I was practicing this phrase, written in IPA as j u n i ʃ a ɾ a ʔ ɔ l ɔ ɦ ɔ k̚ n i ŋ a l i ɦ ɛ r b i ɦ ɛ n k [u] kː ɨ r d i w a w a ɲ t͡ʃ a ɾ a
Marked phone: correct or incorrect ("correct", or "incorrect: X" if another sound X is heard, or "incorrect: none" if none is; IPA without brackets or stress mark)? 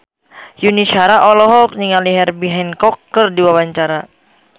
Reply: incorrect: ɔ